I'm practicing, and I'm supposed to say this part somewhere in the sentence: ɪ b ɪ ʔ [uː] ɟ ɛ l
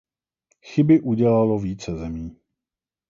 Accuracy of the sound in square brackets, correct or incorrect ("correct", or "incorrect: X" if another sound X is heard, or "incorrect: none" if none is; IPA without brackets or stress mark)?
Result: incorrect: u